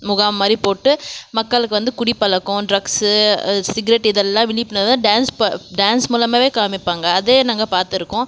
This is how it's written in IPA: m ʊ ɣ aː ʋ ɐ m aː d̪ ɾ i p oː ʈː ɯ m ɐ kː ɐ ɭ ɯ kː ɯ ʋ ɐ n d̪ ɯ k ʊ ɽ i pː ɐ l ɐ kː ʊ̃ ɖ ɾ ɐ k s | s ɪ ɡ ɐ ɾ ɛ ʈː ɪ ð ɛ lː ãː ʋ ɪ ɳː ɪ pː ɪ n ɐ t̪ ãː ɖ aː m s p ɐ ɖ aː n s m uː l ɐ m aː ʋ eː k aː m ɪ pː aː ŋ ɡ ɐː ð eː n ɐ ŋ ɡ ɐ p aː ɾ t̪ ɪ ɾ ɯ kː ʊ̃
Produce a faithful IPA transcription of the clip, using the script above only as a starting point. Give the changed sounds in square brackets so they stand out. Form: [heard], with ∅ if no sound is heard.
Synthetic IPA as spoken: m ʊ ɣ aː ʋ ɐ m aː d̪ ɾ i p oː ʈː ɯ m ɐ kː ɐ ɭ ɯ kː ɯ ʋ ɐ n d̪ ɯ k ʊ ɽ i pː ɐ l ɐ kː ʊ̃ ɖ ɾ ɐ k s | s ɪ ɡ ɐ ɾ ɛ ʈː ɪ ð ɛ lː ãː ʋ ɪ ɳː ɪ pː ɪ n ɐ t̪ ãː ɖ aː [n] s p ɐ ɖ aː n s m uː l ɐ m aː ʋ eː k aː m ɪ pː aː ŋ ɡ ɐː ð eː n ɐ ŋ ɡ ɐ p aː ɾ t̪ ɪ ɾ ɯ kː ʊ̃